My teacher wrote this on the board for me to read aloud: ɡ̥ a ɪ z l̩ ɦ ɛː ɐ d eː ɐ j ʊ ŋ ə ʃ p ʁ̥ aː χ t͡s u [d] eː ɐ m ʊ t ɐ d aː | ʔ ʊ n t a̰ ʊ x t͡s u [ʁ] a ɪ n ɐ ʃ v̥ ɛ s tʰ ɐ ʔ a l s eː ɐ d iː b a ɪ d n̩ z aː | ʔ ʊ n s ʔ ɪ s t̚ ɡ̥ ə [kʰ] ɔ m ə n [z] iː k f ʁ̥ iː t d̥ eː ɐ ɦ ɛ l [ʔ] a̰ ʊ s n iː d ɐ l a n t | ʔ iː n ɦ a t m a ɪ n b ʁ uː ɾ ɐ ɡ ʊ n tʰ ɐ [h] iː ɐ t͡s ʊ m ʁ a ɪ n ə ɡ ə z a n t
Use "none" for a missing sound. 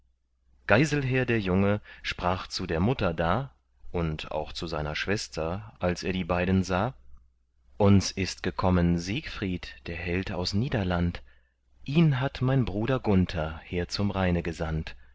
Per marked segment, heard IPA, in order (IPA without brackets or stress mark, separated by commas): d, z, kʰ, z, t, h